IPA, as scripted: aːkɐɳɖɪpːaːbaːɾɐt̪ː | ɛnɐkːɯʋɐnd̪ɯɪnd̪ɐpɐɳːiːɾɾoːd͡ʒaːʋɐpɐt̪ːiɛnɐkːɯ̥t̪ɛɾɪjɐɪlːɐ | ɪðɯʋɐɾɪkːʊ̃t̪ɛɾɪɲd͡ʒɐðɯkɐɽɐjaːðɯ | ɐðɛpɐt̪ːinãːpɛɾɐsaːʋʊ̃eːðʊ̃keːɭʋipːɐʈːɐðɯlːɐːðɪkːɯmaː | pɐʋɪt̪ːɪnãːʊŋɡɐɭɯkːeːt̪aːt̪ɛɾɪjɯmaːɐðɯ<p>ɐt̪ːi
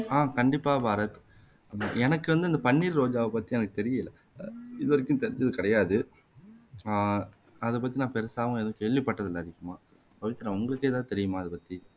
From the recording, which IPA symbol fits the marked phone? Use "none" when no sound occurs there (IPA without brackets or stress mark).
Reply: p